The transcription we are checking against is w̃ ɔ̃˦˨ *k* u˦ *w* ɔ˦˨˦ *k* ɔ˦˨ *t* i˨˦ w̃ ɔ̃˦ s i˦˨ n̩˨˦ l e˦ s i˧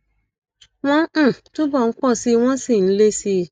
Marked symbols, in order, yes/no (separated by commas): no, no, no, no